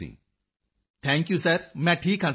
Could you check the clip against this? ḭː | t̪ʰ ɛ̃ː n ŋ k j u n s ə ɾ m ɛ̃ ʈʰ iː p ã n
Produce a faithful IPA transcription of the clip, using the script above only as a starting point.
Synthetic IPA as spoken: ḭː | t̪ʰ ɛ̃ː ŋ k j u s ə ɾ m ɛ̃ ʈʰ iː k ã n

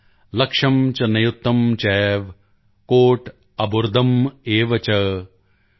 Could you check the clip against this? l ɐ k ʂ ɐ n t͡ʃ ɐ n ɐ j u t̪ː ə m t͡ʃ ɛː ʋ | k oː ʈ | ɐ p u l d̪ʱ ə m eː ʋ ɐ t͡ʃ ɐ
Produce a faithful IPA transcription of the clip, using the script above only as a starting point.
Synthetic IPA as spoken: l ɐ k ʂ ɐ m t͡ʃ ɐ n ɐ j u t̪ː ɐ m t͡ʃ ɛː ʋ | k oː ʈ | ɐ b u ɾ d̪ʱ ɐ m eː ʋ ɐ t͡ʃ ɐ

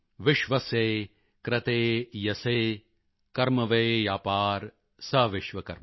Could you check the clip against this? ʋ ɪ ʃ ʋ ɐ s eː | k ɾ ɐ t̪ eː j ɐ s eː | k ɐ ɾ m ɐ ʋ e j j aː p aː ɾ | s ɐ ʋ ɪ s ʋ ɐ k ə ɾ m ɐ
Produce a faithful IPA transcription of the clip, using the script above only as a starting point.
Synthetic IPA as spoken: ʋ ɪ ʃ ʋ ɐ s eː | k ɾ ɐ t̪ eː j ɐ s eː | k ɐ ɾ m ɐ ʋ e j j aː p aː ɾ | s ɐ ʋ ɪ ʃ ʋ ɐ k ɐ ɾ m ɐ

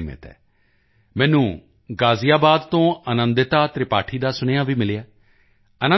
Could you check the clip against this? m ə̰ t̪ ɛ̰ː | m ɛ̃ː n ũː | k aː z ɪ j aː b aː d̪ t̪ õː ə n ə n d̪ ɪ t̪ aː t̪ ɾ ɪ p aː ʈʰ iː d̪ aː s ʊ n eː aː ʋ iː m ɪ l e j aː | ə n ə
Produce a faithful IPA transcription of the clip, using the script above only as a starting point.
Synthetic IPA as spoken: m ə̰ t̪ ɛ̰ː | m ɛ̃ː n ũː | ɡ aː z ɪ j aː b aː d̪ t̪ õː ə n ə n d̪ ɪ t̪ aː t̪ ɾ ɪ p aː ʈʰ iː d̪ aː s ʊ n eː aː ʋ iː m ɪ l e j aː | ə n ə

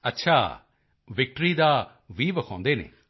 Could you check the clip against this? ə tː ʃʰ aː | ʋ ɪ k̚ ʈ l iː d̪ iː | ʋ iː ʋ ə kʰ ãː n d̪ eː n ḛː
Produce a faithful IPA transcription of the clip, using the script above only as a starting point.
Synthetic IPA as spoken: ə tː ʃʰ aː | ʋ ɪ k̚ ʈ ɾ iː d̪ aː | ʋ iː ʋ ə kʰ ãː n d̪ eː n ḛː

